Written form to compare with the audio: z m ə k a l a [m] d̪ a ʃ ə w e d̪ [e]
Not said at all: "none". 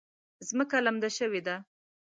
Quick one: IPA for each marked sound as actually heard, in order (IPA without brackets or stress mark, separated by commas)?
m, a